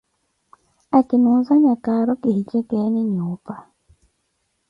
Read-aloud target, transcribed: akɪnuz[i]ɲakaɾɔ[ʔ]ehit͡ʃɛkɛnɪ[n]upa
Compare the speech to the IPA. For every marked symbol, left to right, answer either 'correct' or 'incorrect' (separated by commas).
incorrect, incorrect, incorrect